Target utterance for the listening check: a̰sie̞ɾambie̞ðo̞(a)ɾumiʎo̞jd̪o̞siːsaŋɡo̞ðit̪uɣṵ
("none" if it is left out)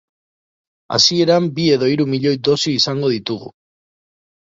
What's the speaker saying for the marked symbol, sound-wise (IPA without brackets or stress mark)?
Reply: i